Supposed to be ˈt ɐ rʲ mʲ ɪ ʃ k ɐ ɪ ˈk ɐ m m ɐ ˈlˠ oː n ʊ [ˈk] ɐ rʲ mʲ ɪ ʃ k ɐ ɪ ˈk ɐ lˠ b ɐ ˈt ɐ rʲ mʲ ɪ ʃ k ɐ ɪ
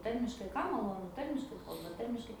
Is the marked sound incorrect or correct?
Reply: incorrect